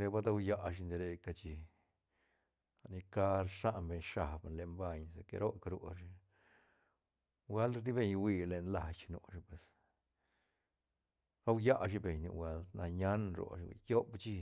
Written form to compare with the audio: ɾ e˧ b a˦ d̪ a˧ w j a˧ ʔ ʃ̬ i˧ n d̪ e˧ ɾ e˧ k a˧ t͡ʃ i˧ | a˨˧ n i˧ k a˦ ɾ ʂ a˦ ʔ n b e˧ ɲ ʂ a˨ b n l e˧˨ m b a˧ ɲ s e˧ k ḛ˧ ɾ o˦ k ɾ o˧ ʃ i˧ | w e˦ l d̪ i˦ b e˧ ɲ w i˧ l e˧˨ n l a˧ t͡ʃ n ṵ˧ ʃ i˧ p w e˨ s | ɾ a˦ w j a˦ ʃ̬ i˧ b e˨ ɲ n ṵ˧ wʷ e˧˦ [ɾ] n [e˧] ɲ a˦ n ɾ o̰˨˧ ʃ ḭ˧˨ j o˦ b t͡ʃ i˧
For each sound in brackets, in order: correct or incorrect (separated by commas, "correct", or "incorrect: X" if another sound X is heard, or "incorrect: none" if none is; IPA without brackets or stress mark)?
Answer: incorrect: l, incorrect: a˧